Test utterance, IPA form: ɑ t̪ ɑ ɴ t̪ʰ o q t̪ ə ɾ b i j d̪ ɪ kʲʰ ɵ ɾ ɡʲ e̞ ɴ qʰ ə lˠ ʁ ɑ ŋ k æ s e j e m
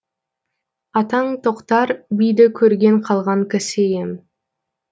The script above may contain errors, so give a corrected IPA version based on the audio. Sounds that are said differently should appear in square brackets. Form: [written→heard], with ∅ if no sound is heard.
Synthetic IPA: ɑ t̪ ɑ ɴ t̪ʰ o q t̪ [ə→ɑ] ɾ b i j d̪ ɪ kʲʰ ɵ ɾ ɡʲ e̞ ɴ qʰ [ə→ɑ] lˠ ʁ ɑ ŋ k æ s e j e m